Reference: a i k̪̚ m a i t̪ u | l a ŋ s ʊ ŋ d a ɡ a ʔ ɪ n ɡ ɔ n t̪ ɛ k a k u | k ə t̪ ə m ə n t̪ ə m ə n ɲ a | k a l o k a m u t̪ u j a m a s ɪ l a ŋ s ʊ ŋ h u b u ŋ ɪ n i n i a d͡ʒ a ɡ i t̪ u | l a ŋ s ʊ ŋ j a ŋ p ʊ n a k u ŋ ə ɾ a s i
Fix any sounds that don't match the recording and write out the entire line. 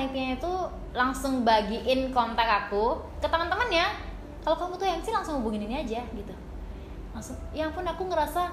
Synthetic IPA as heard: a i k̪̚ ɲ a i t̪ u | l a ŋ s ʊ ŋ b a ɡ i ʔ ɪ n k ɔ n t̪ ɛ k a k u | k ə t̪ ə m ə n t̪ ə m ə n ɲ a | k a l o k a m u t̪ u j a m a s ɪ l a ŋ s ʊ ŋ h u b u ŋ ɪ n i n i a d͡ʒ a ɡ i t̪ u | l a ŋ s ʊ ŋ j a ŋ p ʊ n a k u ŋ ə ɾ a s a